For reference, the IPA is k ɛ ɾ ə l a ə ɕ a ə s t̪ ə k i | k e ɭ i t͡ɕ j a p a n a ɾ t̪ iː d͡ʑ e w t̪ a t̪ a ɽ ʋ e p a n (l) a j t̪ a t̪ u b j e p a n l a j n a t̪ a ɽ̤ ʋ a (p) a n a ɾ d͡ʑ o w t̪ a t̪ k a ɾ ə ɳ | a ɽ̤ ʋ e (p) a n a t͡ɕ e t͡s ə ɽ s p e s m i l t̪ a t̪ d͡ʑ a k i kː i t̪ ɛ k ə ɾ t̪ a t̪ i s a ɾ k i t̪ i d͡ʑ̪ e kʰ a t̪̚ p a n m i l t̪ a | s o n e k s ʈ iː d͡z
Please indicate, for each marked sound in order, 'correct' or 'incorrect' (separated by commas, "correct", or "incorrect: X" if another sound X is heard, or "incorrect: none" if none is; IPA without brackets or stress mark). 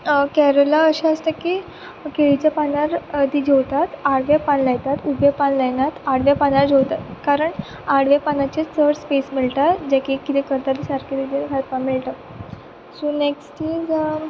correct, correct, correct